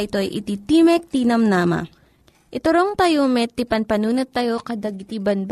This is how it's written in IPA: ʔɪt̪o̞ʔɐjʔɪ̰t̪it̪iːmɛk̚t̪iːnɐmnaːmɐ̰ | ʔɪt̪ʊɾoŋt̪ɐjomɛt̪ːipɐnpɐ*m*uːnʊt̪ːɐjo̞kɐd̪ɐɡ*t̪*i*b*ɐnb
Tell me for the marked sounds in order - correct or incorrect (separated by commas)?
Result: incorrect, correct, correct